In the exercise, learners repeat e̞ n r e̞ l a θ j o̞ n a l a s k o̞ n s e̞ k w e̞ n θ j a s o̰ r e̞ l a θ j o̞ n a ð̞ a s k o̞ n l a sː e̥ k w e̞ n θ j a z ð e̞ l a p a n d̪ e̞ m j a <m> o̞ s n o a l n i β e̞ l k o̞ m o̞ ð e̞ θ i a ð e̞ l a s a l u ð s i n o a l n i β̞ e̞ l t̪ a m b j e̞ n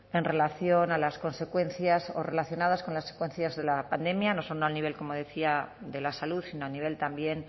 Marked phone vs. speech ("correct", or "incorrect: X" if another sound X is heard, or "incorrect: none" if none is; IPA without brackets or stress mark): incorrect: n